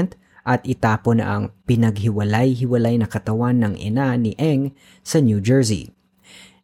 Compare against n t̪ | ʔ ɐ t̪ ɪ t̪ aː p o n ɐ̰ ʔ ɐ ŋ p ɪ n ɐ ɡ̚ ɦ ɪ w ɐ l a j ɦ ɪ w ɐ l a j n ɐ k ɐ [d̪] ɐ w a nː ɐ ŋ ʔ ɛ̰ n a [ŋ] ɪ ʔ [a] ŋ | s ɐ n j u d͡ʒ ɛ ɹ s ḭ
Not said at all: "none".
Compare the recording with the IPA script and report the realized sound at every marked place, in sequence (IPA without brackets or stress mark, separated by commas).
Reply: t̪, n, ɛ